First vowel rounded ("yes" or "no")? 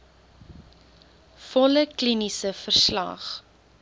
yes